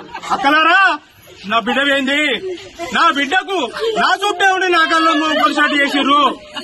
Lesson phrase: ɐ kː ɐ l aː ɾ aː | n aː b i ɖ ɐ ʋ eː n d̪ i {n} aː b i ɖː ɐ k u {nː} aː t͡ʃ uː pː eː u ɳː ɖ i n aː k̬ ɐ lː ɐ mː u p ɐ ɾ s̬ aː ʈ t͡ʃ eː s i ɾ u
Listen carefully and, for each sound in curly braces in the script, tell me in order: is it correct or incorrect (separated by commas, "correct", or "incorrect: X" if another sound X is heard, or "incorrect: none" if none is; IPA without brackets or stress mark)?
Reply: correct, incorrect: n